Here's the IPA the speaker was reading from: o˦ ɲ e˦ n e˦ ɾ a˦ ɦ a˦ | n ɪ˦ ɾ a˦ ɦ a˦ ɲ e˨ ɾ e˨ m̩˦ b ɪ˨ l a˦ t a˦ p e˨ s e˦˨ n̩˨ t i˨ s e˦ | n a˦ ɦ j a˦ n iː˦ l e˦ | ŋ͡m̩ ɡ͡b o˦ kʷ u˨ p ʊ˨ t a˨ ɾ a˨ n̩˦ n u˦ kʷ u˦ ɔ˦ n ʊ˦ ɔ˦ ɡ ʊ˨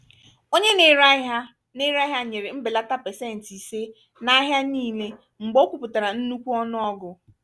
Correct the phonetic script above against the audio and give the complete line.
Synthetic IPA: o˦ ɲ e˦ n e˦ ɾ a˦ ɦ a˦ | n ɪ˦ ɾ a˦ ɦ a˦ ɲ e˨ ɾ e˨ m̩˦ b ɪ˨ l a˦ t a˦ p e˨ s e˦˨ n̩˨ t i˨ s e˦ | n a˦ ɦ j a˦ n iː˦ l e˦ | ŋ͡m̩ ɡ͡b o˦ kʷ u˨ p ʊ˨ t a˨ ɾ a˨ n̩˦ n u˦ kʷ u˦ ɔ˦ n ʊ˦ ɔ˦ ɡ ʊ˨

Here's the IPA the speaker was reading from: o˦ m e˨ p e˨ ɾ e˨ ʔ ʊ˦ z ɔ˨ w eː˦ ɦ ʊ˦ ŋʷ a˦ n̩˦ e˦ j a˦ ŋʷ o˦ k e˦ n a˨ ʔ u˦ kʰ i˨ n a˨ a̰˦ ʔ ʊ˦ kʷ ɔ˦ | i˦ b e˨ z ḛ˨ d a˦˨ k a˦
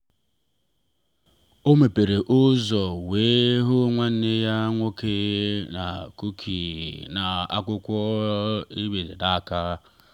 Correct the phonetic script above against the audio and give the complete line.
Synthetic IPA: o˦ m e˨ p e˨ ɾ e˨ ʔ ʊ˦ z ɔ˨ w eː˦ ɦ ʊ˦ ŋʷ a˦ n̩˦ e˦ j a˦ ŋʷ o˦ k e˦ n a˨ k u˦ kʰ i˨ n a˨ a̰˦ k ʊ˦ kʷ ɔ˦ | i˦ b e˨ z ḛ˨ d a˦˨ k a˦

